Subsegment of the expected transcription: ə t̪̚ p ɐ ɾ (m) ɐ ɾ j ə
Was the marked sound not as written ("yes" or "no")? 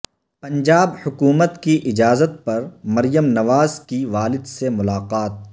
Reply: no